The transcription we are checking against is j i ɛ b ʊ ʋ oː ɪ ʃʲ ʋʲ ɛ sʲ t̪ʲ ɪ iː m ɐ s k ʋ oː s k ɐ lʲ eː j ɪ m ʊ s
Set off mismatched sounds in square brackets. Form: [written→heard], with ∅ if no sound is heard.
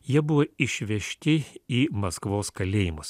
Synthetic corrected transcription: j i ɛ b ʊ ʋ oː ɪ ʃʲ ʋʲ ɛ [sʲ→ʃʲ] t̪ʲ ɪ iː m ɐ s k ʋ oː s k ɐ lʲ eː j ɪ m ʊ s